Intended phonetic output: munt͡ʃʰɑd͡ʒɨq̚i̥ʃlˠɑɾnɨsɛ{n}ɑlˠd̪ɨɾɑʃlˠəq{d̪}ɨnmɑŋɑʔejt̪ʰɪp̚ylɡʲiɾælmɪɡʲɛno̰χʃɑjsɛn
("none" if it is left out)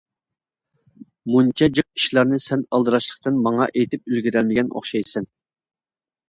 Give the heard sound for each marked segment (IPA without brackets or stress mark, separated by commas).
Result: n, t̪